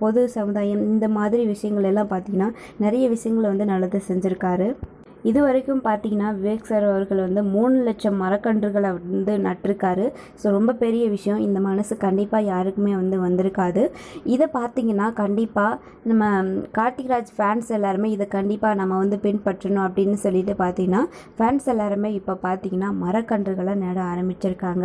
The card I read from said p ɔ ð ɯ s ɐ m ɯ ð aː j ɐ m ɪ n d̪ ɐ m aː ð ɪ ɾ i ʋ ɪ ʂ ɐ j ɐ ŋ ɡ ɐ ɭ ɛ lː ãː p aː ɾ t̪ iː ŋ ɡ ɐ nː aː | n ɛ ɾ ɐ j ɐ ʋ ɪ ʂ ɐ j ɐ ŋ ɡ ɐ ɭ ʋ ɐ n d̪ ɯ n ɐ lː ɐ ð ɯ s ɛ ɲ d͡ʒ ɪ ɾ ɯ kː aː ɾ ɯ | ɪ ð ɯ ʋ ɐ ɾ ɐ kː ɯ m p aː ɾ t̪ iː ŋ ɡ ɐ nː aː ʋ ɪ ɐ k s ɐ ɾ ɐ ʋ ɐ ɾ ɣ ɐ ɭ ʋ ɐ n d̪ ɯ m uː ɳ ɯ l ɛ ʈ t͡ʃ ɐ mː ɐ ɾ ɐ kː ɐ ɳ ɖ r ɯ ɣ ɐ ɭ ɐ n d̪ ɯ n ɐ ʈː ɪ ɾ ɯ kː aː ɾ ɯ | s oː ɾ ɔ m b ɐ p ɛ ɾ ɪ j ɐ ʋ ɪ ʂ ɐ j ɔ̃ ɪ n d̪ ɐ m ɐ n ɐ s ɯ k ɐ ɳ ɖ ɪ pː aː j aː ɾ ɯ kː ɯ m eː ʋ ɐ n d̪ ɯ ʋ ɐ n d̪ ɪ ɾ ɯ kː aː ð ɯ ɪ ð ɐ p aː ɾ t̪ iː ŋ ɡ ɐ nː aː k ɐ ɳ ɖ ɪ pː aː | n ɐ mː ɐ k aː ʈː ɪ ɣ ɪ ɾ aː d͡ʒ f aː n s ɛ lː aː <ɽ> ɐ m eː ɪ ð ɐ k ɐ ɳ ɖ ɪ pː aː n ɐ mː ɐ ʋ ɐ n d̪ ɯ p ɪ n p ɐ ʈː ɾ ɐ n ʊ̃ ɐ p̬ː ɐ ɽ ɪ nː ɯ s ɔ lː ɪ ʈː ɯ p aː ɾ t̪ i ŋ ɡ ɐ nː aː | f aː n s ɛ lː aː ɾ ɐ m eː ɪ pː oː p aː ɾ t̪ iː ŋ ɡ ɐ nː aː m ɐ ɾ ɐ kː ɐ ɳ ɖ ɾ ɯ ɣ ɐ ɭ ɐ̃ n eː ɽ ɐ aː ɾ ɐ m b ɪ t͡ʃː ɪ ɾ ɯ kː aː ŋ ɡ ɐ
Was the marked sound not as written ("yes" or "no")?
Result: yes